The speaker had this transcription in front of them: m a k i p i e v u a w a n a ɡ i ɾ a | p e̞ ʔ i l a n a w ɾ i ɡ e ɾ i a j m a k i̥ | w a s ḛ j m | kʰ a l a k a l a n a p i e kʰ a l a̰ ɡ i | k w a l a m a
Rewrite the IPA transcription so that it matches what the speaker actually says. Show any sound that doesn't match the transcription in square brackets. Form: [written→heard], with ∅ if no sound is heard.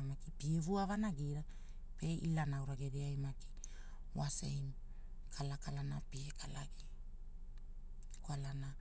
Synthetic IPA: m a k i p i e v u a [w→v] a n a ɡ i ɾ a | p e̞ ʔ i l a n a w ɾ [i→a] ɡ e ɾ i a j m a k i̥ | w a s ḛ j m | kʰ a l a k a l a n a p i e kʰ a l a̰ ɡ i | k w a l a [m→n] a